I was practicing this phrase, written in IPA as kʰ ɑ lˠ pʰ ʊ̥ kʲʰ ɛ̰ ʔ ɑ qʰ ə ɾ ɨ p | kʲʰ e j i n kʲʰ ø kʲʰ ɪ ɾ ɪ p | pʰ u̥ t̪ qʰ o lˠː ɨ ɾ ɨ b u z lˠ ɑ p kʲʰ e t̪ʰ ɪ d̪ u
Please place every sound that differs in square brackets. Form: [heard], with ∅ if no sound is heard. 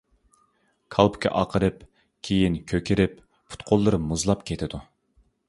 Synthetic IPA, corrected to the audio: kʰ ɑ lˠ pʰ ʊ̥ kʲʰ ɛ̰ ʔ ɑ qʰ ə ɾ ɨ p | kʲʰ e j i n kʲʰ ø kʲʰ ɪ ɾ ɪ p | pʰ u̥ t̪ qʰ o lˠː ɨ ɾ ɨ [m] u z lˠ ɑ p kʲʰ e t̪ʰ ɪ d̪ u